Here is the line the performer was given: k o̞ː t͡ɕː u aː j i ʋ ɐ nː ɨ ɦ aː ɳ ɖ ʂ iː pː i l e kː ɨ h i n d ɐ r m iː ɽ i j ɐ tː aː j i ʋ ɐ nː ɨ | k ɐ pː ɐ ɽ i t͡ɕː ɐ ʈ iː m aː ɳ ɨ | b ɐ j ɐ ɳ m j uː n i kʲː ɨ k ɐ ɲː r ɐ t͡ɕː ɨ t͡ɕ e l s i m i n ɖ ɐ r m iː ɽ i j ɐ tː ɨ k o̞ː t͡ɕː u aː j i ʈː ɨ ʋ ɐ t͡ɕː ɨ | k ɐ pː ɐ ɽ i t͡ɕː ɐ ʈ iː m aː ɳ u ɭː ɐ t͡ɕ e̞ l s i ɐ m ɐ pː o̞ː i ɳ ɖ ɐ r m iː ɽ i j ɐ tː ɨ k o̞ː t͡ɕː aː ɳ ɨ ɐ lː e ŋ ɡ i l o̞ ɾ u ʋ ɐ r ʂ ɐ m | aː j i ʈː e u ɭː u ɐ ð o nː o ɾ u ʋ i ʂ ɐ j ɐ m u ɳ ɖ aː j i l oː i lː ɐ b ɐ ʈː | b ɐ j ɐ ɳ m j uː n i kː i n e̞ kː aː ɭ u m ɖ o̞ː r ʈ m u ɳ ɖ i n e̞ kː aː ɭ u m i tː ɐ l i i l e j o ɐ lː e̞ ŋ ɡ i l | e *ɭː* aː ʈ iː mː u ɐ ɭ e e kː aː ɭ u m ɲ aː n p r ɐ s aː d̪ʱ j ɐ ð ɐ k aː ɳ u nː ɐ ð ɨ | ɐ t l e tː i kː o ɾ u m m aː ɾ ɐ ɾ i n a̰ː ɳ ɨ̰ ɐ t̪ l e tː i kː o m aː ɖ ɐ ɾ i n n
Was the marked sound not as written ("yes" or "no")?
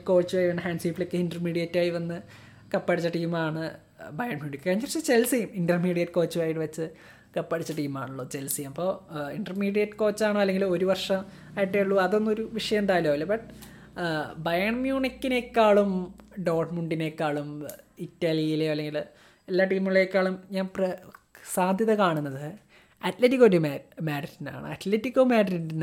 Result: yes